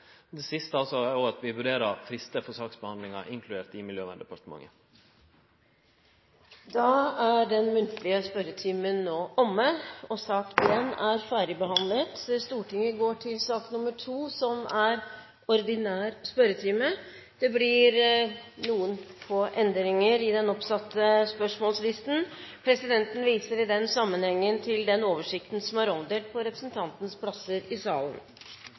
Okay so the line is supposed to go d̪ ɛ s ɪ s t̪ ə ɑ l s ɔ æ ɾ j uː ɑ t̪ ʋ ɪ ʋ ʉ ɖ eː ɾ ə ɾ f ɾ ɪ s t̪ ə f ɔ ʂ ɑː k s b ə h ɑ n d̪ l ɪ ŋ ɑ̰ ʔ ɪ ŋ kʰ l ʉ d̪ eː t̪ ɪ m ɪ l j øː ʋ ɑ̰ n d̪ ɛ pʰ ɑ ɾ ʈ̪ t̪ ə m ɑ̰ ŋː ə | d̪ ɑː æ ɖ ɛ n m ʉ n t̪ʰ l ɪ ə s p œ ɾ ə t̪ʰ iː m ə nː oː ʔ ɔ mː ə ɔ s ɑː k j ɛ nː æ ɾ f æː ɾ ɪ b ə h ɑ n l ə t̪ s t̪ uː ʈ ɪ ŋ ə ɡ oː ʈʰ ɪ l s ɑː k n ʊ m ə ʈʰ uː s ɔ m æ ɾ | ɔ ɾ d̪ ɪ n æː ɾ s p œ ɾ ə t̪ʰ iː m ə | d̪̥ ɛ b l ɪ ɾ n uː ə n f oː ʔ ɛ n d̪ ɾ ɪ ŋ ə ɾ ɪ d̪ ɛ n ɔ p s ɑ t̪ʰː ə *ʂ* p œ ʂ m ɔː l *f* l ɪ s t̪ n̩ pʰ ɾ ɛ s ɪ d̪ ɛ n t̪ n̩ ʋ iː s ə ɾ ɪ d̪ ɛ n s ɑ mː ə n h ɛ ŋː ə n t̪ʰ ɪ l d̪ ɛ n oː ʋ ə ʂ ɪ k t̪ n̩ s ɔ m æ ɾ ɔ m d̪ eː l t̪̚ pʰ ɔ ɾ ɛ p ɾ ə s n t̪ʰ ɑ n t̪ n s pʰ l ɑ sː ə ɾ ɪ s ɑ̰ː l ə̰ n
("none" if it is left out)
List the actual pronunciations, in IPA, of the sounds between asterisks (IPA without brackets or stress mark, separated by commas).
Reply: s, s